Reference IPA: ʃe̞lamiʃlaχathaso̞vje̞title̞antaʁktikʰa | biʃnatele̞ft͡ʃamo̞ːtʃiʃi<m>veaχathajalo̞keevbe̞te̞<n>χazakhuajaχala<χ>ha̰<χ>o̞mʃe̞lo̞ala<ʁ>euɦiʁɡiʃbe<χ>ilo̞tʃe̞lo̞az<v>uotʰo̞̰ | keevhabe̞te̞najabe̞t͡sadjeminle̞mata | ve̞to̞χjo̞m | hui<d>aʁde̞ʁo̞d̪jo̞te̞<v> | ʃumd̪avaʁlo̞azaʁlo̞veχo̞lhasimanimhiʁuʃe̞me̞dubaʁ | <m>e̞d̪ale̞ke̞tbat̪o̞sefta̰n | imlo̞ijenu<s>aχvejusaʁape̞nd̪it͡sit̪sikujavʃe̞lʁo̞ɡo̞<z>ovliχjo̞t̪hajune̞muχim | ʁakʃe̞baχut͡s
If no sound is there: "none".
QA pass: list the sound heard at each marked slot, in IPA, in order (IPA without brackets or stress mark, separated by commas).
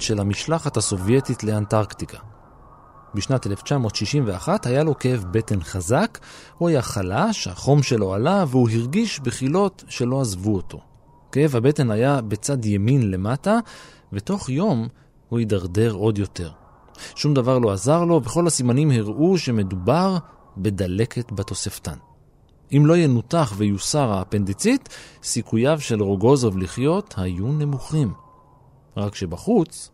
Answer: m, n, ʃ, χ, v, χ, v, d, ʁ, b, t, z